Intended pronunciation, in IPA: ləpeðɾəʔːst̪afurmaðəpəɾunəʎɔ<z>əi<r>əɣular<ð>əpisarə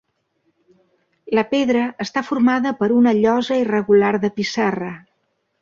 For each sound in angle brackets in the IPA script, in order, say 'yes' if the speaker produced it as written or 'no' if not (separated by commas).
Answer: yes, yes, yes